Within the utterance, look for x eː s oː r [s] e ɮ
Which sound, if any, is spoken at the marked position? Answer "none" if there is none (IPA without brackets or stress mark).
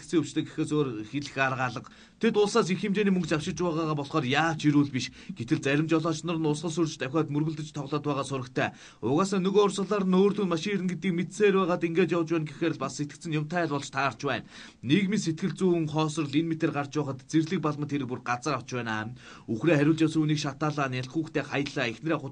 x